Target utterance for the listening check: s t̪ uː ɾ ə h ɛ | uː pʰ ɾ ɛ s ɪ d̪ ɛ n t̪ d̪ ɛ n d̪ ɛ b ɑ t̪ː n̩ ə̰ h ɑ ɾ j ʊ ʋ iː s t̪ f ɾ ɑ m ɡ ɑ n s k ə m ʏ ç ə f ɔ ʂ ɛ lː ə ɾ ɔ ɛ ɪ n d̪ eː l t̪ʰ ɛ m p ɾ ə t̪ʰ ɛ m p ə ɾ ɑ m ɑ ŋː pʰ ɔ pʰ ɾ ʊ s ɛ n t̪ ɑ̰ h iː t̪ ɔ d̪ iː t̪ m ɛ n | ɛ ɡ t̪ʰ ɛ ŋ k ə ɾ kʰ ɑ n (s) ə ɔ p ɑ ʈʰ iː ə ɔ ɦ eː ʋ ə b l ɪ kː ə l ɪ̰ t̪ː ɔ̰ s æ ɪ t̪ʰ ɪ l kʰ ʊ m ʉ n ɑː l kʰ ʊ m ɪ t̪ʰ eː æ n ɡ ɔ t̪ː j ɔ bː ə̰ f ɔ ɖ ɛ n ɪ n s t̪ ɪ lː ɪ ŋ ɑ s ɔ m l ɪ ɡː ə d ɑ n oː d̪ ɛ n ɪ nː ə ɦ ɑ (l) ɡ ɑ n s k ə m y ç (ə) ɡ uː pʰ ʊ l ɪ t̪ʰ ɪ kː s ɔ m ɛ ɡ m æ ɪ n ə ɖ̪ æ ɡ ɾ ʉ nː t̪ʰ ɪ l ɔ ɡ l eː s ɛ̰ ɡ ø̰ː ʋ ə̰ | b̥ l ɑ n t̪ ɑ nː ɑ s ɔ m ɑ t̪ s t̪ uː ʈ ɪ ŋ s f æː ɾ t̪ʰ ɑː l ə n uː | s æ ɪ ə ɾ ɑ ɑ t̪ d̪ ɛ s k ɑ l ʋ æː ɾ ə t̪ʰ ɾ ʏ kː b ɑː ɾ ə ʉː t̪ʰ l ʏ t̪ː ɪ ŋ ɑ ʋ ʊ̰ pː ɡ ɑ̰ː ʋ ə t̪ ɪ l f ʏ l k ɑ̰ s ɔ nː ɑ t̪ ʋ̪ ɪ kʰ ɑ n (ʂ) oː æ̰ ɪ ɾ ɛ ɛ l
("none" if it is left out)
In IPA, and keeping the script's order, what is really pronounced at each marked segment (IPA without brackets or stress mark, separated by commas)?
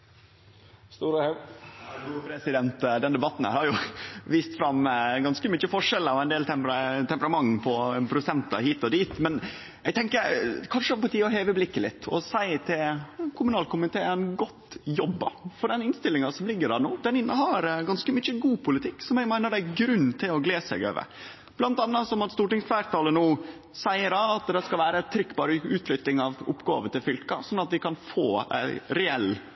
ʂ, ɾ, ə, f